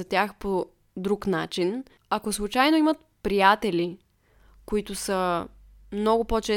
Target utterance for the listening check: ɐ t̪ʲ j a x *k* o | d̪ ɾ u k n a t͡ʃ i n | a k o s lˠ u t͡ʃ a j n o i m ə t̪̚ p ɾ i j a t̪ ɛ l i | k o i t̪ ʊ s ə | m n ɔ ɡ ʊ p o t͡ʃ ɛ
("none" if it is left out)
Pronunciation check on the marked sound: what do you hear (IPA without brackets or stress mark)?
p